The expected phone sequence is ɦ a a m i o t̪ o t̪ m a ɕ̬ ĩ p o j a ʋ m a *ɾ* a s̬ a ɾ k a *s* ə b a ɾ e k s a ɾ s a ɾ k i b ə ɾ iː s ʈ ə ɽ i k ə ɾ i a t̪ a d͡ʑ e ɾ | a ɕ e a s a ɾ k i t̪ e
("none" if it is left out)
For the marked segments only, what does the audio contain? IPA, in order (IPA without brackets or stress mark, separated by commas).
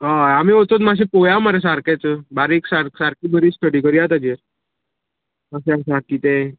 ɾ, t͡s